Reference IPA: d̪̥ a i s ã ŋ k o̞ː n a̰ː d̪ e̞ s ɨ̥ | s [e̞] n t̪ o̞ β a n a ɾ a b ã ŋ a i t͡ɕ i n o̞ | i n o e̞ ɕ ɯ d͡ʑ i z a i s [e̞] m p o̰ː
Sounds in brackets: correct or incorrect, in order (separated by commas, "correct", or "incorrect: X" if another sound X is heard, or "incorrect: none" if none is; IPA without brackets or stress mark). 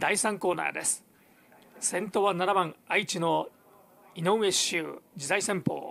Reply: incorrect: ẽ̞, incorrect: ẽ̞